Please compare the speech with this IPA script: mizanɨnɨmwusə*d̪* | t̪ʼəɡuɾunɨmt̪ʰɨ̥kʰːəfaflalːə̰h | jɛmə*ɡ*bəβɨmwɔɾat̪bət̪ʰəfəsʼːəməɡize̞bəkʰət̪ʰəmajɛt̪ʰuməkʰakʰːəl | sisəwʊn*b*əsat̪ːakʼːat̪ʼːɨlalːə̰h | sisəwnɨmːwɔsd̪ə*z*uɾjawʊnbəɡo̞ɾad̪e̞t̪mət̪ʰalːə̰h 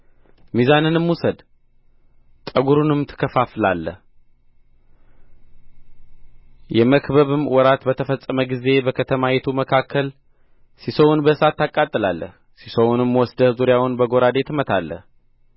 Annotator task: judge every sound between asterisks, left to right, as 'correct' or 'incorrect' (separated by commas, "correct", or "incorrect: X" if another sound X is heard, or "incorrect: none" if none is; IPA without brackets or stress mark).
correct, incorrect: k, correct, correct